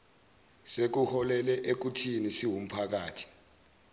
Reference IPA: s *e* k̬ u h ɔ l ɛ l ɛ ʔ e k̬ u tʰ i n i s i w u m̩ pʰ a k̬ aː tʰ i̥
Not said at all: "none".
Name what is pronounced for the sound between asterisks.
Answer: e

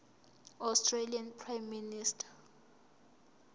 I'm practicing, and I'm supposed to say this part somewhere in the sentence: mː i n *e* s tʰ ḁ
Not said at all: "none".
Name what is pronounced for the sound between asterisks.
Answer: i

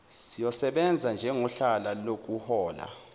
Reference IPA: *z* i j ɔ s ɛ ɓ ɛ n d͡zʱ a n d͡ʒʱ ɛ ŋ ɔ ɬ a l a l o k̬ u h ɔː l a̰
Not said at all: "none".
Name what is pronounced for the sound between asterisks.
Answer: s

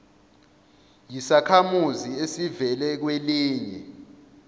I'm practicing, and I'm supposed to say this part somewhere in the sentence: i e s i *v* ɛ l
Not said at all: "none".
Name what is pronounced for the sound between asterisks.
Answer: v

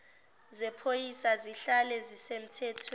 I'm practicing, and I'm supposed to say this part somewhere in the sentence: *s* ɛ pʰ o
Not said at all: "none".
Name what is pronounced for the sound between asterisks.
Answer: z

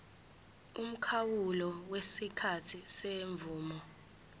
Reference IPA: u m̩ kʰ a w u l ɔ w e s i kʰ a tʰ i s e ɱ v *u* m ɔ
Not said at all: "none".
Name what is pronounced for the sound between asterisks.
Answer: uː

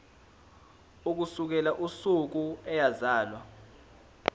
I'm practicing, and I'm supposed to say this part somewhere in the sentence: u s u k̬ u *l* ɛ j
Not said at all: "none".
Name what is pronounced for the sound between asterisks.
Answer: none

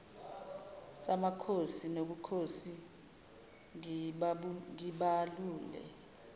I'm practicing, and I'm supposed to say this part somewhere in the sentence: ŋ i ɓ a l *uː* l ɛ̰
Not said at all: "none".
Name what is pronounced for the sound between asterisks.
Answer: uː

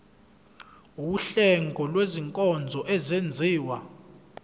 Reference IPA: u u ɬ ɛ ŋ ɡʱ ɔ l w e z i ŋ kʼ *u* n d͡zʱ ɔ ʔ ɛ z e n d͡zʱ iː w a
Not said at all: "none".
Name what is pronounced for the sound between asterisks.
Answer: ɔ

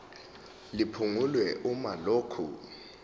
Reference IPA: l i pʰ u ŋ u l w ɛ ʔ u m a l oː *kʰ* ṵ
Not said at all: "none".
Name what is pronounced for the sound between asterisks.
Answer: kʰ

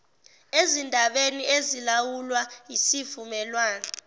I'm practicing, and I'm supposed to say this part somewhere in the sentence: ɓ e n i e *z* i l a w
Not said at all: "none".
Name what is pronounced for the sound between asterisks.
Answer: z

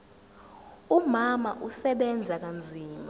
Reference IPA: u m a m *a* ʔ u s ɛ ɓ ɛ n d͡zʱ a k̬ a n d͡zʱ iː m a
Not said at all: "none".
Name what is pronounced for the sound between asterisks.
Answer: a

